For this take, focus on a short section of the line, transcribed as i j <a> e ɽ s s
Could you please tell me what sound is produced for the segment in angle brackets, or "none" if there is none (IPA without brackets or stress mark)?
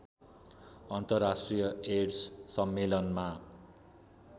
ʌ